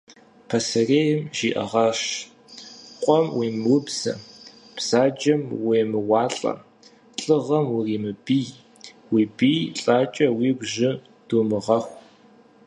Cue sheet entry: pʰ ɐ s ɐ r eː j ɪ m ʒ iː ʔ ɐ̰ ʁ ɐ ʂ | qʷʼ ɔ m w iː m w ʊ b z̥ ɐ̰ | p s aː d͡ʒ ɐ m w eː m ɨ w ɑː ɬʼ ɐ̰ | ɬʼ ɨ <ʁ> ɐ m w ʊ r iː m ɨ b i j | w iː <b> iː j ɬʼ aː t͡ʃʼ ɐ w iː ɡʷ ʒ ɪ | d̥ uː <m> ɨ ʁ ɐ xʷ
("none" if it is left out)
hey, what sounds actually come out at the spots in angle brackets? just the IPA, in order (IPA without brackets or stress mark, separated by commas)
ʁ, b, m